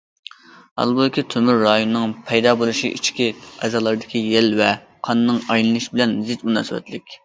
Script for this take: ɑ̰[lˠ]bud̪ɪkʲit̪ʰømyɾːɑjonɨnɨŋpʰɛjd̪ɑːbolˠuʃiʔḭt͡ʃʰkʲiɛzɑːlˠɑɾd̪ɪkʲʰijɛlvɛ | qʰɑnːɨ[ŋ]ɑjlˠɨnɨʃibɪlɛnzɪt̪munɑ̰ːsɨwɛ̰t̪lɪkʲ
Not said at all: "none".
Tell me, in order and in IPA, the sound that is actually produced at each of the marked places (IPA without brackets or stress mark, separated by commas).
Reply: lˠ, ŋ